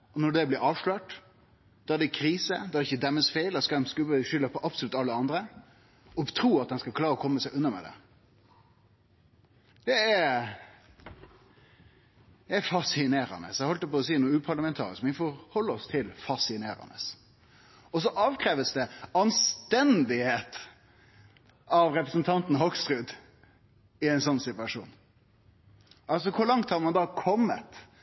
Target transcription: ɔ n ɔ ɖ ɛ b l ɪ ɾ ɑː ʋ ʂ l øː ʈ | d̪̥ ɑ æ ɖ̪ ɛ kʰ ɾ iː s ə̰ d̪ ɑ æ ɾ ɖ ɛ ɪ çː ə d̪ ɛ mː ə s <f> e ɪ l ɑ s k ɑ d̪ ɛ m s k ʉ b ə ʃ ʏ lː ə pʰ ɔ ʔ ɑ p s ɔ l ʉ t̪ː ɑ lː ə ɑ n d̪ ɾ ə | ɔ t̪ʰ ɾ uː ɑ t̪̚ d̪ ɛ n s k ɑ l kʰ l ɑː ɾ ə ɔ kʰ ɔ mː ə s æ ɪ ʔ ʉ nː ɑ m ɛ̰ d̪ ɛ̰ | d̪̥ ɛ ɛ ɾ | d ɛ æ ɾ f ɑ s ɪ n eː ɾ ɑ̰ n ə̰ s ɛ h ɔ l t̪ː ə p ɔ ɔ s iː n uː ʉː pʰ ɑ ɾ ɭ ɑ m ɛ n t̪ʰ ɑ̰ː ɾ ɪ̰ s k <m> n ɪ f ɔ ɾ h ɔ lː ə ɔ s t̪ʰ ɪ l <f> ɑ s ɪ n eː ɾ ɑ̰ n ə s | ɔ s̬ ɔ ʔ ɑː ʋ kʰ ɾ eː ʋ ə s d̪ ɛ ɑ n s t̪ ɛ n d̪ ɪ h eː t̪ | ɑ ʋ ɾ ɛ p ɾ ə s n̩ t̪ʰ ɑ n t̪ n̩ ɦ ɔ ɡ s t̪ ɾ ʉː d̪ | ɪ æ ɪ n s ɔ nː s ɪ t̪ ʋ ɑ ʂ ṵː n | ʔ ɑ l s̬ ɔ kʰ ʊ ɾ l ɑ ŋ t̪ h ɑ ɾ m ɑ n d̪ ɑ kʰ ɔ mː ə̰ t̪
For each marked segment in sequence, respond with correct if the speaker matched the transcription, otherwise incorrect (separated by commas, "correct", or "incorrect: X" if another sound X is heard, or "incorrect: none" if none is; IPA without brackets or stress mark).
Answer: correct, correct, correct